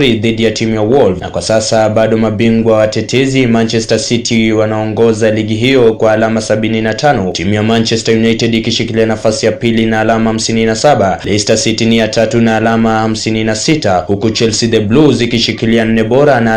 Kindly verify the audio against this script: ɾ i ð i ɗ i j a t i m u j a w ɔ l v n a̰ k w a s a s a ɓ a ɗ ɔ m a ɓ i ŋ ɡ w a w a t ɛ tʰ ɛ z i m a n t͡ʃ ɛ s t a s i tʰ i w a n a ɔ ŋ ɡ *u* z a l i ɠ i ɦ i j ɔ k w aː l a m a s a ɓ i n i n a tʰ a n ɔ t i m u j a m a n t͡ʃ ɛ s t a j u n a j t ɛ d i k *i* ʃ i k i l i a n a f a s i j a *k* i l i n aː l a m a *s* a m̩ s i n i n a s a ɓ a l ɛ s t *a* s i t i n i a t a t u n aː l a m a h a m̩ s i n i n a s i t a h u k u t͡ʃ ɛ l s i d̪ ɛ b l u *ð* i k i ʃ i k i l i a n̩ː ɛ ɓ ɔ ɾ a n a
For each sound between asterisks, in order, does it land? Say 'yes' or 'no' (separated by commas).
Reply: no, yes, no, no, yes, no